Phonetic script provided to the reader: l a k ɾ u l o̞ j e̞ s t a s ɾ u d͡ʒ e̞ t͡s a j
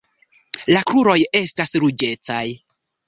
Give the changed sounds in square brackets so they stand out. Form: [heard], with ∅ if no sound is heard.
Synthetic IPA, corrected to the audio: l a k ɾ u [ɾ] o̞ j e̞ s t a s ɾ u d͡ʒ e̞ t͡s a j